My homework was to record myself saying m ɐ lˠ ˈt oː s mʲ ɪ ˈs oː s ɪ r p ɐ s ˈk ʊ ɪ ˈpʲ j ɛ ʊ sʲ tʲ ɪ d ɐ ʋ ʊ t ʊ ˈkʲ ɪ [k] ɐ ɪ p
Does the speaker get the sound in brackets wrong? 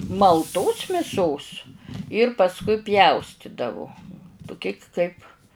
no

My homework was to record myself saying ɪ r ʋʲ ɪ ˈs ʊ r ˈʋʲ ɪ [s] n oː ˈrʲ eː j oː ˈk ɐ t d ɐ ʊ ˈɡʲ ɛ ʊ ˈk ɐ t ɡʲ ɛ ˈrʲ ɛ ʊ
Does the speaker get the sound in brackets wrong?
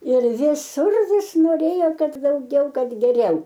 no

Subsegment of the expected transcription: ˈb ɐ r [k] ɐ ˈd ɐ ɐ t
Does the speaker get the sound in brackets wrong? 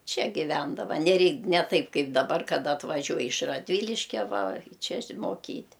no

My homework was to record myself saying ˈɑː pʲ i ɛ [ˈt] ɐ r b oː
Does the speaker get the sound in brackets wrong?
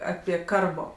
yes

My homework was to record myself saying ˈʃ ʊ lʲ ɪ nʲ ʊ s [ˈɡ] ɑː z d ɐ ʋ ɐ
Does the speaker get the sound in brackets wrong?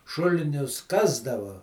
yes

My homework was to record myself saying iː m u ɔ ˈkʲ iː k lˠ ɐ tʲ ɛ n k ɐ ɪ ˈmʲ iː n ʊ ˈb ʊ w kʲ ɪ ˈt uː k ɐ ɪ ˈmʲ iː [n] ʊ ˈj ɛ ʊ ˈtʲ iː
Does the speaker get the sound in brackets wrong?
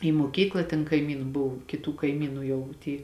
no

